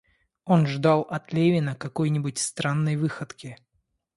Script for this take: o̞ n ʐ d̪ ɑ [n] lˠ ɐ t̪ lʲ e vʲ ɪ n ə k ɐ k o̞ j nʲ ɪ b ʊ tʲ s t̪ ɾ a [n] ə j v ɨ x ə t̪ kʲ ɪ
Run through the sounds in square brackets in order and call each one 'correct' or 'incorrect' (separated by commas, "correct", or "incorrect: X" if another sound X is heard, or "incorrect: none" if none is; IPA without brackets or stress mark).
incorrect: none, incorrect: nː